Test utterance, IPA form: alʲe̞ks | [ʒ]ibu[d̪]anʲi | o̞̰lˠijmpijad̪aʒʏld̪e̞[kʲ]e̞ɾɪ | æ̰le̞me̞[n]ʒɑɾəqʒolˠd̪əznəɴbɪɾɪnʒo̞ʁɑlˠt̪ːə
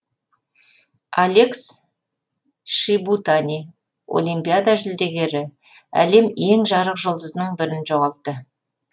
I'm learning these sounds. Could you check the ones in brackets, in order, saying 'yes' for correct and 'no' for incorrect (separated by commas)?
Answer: no, no, no, no